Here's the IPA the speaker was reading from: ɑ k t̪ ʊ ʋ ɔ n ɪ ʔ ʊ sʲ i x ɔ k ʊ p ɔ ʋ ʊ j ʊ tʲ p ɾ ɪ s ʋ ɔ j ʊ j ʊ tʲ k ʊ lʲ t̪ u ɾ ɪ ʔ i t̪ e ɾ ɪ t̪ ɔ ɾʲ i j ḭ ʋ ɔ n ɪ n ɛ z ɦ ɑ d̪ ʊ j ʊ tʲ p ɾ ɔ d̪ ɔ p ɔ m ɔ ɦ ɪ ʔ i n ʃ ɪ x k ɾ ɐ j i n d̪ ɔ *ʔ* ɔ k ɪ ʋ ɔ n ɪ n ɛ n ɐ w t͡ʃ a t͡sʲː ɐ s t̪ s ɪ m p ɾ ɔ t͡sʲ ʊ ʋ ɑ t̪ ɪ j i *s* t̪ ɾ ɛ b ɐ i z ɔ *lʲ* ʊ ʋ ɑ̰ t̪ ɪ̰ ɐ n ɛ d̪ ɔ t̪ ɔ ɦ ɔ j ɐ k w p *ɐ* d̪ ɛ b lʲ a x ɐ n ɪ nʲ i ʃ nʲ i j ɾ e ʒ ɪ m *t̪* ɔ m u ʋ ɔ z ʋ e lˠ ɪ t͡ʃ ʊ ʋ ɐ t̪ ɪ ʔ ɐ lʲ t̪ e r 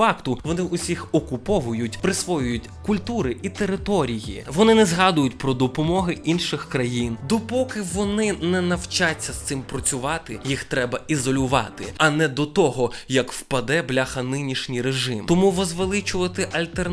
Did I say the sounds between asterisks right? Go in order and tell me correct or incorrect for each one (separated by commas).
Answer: incorrect, incorrect, correct, correct, correct